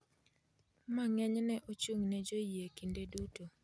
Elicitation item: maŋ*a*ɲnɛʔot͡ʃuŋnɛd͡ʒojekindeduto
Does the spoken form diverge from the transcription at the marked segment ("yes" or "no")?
yes